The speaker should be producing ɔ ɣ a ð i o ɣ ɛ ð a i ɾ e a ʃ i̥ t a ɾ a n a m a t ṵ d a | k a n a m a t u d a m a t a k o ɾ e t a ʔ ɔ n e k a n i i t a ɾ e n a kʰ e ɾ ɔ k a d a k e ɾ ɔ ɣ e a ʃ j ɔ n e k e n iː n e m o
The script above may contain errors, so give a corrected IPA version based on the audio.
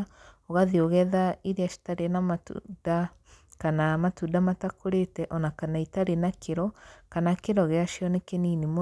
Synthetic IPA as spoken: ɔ ɣ a ð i o ɣ ɛ ð a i ɾ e a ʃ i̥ t a ɾ e n a m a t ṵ d a | k a n a m a t u d a m a t a k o ɾ e t ɛ ʔ ɔ n a k a n a i t a ɾ e n a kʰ e ɾ ɔ k a n a k e ɾ ɔ ɣ e a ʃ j ɔ n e k e n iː n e m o